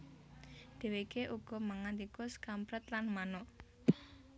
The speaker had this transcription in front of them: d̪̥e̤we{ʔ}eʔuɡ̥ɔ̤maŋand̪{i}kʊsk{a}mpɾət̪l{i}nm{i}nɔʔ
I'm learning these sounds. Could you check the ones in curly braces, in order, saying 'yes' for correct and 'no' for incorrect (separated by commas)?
no, yes, yes, no, no